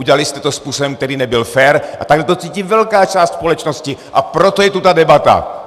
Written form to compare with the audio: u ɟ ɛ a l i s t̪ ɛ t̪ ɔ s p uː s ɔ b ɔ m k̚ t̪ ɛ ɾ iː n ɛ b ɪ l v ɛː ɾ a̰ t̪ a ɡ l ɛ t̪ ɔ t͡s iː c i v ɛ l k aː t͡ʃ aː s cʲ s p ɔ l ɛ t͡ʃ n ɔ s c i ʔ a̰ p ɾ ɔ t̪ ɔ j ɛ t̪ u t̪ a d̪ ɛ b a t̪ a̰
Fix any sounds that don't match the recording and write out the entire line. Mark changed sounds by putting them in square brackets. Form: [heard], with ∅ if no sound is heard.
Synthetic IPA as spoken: u ɟ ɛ a l i s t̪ ɛ t̪ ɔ s p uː s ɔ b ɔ m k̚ t̪ ɛ ɾ iː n ɛ b [i] l [f] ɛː ɾ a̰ t̪ a ɡ l ɛ t̪ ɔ t͡s iː c i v ɛ l k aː t͡ʃ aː s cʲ s p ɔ l ɛ t͡ʃ n ɔ s c i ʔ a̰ p ɾ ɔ t̪ ɔ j ɛ t̪ u t̪ a d̪ ɛ b a t̪ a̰